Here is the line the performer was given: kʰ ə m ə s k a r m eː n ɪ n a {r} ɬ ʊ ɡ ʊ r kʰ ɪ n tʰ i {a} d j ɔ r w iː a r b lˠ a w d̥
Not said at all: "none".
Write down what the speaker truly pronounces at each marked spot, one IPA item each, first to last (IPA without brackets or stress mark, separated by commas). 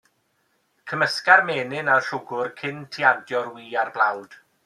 r, a